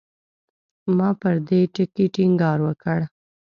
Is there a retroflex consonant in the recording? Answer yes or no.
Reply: yes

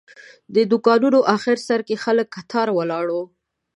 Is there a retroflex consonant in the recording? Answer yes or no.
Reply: yes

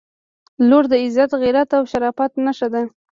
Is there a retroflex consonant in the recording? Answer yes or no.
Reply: no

